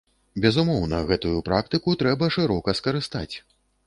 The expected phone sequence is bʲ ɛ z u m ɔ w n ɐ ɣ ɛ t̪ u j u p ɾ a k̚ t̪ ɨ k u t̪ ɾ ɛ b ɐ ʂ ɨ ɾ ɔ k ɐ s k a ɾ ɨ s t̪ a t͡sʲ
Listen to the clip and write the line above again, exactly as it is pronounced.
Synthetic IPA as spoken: bʲ ɛ z u m ɔ w n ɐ ɣ ɛ t̪ u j u p ɾ a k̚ t̪ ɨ k u t̪ ɾ ɛ b ɐ ʂ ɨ ɾ ɔ k ɐ s k ɐ ɾ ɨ s t̪ a t͡sʲ